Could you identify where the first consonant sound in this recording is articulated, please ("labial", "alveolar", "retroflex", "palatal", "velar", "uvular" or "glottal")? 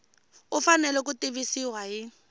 labial